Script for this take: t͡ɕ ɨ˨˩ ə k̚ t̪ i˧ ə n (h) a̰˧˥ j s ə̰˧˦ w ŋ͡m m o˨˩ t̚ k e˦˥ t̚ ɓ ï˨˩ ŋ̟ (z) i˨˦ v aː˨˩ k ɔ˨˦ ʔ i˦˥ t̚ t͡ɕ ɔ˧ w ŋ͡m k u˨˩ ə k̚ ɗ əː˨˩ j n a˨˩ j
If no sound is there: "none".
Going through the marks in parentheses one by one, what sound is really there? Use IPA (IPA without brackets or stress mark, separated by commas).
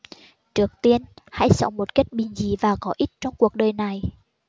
h, z